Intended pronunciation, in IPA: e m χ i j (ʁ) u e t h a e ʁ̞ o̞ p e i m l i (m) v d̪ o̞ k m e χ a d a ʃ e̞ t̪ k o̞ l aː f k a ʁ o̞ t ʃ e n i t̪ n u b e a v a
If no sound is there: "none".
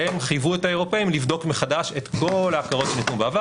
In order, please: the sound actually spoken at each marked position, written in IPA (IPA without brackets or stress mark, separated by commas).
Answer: v, none